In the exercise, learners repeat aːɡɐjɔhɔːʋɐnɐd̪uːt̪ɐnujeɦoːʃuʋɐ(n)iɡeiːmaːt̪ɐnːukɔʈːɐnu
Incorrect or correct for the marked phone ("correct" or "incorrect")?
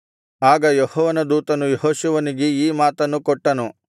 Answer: correct